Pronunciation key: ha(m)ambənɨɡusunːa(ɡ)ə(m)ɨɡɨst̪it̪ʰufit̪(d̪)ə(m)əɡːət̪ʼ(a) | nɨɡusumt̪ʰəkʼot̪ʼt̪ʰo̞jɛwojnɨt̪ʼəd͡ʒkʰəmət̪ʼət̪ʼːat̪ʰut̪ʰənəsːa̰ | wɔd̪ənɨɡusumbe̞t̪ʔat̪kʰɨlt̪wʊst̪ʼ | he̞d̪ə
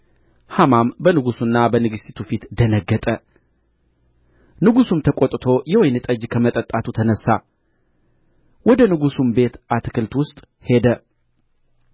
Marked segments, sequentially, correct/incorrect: correct, incorrect: b, incorrect: n, correct, incorrect: n, incorrect: ə

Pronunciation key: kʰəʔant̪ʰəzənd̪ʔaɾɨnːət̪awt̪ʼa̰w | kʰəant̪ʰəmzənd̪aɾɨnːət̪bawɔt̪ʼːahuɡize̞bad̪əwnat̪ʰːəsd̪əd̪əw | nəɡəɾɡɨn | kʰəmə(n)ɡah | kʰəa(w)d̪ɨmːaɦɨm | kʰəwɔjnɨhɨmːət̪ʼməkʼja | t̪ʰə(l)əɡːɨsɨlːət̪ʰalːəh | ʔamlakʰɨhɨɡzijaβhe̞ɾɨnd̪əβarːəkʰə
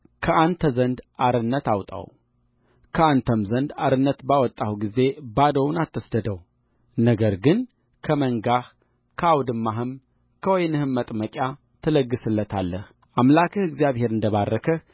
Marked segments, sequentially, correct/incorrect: incorrect: ŋ, correct, correct

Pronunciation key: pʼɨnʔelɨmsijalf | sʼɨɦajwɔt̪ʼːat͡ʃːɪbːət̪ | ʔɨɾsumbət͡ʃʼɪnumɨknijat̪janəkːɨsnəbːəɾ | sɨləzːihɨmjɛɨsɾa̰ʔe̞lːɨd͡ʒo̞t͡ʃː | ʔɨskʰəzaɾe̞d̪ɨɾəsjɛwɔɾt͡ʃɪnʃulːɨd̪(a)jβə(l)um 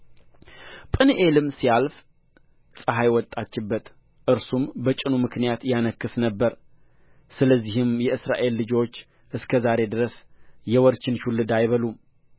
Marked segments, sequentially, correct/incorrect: correct, correct

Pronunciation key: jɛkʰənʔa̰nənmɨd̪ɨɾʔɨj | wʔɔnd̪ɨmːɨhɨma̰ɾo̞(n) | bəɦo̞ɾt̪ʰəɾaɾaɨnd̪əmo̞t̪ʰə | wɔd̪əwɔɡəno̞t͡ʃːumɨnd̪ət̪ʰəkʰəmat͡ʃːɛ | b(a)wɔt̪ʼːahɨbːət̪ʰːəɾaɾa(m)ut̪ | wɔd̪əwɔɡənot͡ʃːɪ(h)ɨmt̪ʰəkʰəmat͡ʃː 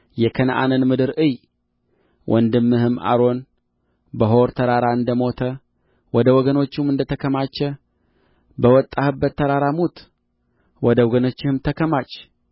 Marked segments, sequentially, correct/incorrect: correct, incorrect: ə, correct, correct

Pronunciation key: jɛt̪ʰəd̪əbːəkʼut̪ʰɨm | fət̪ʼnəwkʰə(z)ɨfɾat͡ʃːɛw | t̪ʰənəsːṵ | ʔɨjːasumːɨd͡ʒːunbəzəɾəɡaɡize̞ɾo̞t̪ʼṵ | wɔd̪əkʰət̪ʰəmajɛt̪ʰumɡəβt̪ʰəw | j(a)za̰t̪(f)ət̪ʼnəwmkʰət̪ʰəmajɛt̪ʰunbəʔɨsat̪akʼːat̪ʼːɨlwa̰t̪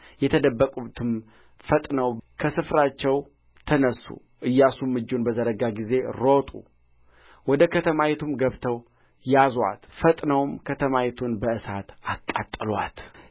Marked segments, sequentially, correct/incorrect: incorrect: s, correct, correct

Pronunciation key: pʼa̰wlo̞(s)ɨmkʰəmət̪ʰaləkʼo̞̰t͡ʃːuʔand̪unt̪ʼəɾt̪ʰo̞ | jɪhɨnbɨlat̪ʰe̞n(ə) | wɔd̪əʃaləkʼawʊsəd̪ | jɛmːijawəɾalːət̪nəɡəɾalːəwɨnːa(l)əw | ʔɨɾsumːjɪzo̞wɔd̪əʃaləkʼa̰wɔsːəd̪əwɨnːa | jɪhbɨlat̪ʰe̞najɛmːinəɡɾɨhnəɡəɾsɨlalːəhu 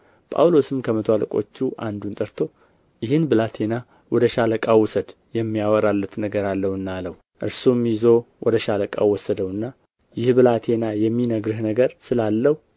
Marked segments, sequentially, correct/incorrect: correct, incorrect: a, correct

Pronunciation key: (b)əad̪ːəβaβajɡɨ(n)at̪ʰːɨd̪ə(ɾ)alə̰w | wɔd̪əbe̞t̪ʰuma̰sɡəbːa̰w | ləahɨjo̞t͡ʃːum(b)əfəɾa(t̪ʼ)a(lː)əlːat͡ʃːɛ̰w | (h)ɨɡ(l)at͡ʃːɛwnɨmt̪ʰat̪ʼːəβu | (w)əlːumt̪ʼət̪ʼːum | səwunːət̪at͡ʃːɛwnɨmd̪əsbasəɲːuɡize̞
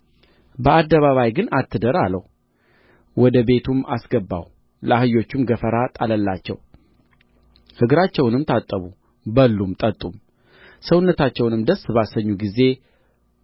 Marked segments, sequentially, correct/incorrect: correct, correct, correct, incorrect: ɡ, correct, incorrect: l, correct, incorrect: ɾ, incorrect: b

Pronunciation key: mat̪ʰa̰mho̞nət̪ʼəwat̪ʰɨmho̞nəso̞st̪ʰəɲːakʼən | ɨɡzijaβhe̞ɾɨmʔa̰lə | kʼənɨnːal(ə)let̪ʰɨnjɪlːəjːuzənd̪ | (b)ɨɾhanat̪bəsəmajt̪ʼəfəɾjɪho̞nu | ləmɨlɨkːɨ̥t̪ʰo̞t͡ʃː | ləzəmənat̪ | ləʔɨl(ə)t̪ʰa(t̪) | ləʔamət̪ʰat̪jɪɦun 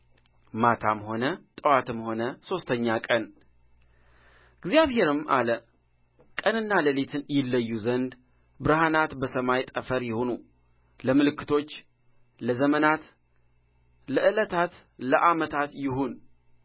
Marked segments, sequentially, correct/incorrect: correct, correct, correct, correct

